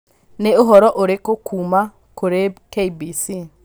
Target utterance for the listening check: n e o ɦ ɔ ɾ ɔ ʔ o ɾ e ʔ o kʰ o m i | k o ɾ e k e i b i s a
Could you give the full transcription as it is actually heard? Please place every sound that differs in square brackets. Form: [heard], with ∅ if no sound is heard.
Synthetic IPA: n e o ɦ ɔ ɾ ɔ ʔ o ɾ e [k] o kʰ [u] m [a] | k o ɾ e k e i b i s [i]

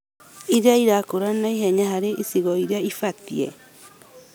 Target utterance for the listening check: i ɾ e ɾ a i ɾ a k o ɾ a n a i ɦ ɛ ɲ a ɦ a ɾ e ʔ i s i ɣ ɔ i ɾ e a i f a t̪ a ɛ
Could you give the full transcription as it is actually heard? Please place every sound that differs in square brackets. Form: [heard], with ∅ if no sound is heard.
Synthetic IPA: i ɾ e [∅] a i ɾ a k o ɾ a n a i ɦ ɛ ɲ a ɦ a ɾ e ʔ i s i ɣ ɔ i ɾ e a i f a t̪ [i] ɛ

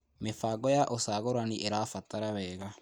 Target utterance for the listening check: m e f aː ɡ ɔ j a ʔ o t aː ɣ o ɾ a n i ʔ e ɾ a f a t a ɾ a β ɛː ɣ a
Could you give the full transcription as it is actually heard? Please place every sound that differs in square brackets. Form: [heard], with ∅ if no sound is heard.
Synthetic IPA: m e f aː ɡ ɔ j a ʔ o [s] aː ɣ o ɾ a n i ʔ e ɾ a f a t a ɾ a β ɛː ɣ a

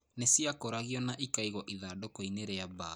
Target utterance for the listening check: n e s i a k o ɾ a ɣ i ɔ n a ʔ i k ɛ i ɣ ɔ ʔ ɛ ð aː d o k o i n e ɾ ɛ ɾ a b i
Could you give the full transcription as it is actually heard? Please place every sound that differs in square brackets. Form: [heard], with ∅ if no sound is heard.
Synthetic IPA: n e s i a k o ɾ a ɣ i ɔ n a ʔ i k [a] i ɣ ɔ ʔ [i] ð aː d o k o i n e ɾ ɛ [∅] a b [a]

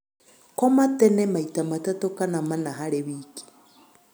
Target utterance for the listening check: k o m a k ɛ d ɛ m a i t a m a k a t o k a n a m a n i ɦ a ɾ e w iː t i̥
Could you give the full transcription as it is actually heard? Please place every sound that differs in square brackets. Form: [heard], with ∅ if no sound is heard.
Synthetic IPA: k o m a [t] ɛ [n] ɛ m a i t a m a [t] a t o k a n a m a n [a] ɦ a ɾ e [β] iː [k] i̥

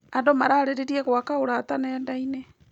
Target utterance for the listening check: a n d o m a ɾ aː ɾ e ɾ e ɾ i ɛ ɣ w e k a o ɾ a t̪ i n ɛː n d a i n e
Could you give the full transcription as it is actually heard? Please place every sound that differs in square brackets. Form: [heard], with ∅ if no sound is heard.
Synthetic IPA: a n d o m a ɾ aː ɾ e ɾ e ɾ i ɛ ɣ w [a] k a o ɾ a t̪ [a] n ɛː n d a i n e

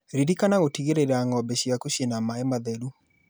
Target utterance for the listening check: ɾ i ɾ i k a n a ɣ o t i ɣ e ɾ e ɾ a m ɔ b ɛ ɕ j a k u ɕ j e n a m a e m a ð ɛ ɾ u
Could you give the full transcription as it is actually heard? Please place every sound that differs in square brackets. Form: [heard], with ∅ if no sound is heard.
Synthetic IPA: ɾ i ɾ i k a n a ɣ o t i ɣ e ɾ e ɾ a [ŋ] ɔ b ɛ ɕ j a k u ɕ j e n a m a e m a ð ɛ ɾ u

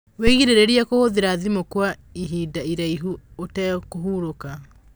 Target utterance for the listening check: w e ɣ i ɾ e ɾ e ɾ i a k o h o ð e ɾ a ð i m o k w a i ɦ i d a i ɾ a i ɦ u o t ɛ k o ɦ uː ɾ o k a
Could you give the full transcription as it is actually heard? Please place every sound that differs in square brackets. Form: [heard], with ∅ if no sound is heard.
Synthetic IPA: w e ɣ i ɾ e ɾ e ɾ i a k o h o ð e ɾ a ð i m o k w a i ɦ i d a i ɾ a i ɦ u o t ɛ k o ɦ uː ɾ o k a

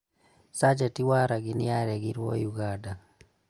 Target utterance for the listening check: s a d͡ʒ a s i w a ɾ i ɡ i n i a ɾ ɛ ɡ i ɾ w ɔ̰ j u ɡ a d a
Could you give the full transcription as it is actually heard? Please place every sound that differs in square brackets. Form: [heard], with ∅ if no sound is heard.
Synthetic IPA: s a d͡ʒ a [t] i w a ɾ [a] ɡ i n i a ɾ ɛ ɡ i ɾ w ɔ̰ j u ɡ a d a

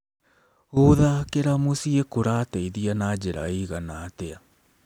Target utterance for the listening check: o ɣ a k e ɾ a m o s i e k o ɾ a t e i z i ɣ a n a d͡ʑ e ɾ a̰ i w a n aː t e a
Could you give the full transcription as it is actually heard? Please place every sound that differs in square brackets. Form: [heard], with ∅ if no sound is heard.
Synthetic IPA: o [ð] a k e ɾ a m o s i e k o ɾ a t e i [ð] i [∅] a n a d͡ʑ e ɾ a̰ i [ɣ] a n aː t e a

